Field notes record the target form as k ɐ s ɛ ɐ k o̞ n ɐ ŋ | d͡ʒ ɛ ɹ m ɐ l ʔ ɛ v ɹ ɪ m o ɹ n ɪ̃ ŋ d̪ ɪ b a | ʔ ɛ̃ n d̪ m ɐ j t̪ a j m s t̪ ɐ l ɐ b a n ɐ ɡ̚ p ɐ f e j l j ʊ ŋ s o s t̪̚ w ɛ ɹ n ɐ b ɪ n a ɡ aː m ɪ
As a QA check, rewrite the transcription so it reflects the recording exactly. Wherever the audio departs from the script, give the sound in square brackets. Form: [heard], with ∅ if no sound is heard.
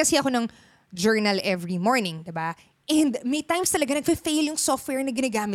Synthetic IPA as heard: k ɐ s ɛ ɐ k o̞ n ɐ ŋ | d͡ʒ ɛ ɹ [n] ɐ l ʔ ɛ v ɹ [i] m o ɹ n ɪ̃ ŋ d̪ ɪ b a | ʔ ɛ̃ n d̪ m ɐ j t̪ a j m s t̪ ɐ l ɐ [ɡ] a n ɐ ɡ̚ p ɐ f e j l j ʊ ŋ s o [f] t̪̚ w ɛ ɹ n ɐ [ɡ] ɪ n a ɡ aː m ɪ